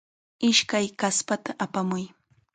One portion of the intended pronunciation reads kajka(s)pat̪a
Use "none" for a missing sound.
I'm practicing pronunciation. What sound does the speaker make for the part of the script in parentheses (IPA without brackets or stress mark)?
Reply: s